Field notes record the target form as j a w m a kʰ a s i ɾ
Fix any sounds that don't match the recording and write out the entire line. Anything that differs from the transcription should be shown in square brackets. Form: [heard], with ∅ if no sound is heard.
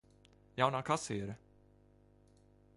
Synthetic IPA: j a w [n] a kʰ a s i ɾ